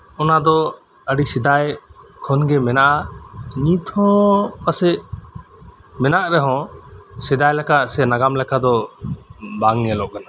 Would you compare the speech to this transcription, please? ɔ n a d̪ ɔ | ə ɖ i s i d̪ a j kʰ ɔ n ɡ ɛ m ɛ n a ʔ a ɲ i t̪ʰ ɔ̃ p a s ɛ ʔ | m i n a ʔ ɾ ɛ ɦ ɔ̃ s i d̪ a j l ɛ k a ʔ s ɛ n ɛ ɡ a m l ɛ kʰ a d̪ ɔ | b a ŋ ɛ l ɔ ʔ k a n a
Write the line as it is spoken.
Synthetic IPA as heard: ɔ n a d̪ ɔ | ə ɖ i s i d̪ a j kʰ ɔ n ɡ ɛ m ɛ n a ʔ a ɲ i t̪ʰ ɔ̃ p a s ɛ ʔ | m ɛ n a ʔ ɾ ɛ ɦ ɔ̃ s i d̪ a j l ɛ k a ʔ s ɛ n a ɡ a m l ɛ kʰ a d̪ ɔ | b a ŋ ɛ l ɔ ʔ k a n a